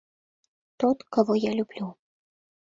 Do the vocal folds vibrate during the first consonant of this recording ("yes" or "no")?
no